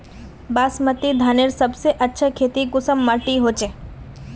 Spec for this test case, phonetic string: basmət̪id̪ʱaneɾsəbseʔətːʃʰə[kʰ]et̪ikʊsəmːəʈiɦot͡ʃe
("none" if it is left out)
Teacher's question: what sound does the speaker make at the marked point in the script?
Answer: kʰ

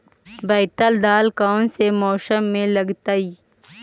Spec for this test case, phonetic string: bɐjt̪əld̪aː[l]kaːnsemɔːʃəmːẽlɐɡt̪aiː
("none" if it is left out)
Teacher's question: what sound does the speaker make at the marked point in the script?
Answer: l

